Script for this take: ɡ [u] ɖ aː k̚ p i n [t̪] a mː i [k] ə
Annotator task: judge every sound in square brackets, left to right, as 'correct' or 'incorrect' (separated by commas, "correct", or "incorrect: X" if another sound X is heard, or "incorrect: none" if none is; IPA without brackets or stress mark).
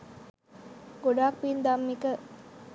incorrect: o, incorrect: d̪, correct